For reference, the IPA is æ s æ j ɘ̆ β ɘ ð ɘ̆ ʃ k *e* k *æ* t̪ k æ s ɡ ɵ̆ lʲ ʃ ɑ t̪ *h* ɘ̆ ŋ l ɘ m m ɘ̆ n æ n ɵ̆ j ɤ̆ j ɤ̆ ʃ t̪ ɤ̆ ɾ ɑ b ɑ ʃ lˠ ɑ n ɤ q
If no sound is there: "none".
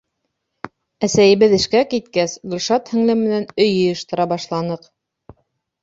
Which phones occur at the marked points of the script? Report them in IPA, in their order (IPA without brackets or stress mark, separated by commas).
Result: æ, i, h